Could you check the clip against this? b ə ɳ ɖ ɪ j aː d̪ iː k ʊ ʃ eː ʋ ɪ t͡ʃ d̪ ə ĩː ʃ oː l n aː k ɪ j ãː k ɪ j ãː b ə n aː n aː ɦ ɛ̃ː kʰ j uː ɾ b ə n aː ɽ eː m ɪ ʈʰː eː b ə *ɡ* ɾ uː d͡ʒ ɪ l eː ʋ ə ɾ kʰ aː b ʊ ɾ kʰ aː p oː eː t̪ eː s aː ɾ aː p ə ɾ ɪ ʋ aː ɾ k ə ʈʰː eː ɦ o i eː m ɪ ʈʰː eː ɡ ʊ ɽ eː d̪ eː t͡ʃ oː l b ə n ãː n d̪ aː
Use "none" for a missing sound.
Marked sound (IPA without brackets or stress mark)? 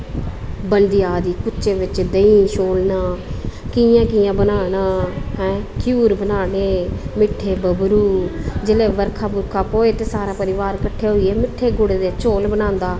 b